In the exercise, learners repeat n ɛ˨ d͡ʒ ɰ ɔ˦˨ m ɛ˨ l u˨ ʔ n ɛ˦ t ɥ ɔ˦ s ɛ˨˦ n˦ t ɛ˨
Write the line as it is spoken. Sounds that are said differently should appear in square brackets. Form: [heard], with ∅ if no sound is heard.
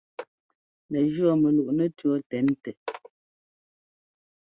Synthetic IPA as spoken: n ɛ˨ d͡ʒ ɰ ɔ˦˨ m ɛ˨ l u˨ ʔ n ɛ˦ t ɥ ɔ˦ [t] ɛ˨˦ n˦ t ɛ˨